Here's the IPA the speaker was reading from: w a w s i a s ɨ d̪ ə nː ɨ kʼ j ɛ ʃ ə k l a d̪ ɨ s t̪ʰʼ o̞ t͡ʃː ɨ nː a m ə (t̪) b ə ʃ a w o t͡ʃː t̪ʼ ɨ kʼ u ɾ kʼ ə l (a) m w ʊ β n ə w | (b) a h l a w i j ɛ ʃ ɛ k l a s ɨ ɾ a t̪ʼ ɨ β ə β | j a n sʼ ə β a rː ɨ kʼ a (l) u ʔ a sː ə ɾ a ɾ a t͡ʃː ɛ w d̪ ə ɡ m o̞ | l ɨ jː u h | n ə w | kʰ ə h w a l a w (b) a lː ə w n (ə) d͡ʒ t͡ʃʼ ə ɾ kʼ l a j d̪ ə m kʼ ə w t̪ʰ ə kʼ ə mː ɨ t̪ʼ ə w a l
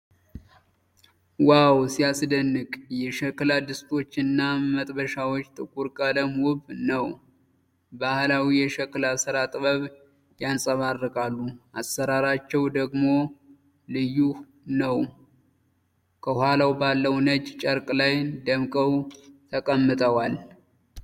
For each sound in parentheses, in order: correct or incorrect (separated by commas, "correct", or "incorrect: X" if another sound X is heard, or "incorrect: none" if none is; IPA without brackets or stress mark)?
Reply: incorrect: t̪ʼ, incorrect: ə, correct, incorrect: lː, correct, correct